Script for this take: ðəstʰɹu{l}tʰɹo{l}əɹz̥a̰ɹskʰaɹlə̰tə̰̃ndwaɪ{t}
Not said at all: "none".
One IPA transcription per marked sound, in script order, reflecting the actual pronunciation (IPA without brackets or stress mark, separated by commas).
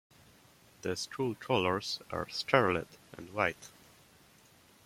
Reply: l, l, t